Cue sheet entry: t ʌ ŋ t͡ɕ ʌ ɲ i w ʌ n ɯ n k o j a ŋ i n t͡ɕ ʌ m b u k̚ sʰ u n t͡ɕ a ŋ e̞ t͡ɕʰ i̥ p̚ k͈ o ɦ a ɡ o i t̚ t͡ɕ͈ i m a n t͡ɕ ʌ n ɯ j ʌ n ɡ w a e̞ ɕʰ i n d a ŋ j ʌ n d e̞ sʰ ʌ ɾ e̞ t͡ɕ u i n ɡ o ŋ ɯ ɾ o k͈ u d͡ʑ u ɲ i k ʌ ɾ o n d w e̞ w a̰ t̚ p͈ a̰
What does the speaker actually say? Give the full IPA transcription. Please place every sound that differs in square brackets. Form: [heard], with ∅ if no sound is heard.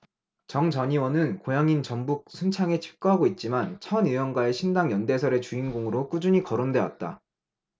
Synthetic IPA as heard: [t͡ɕ] ʌ ŋ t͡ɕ ʌ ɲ i w ʌ n ɯ n k o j a ŋ i n t͡ɕ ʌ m b u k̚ sʰ u n [t͡ɕʰ] a ŋ e̞ t͡ɕʰ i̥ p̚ k͈ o ɦ a ɡ o i t̚ t͡ɕ͈ i m a n [t͡ɕʰ] ʌ n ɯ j ʌ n ɡ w a e̞ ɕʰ i n d a ŋ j ʌ n d e̞ sʰ ʌ ɾ e̞ t͡ɕ u i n ɡ o ŋ ɯ ɾ o k͈ u d͡ʑ u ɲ i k ʌ ɾ o n d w e̞ w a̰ t̚ [t͈] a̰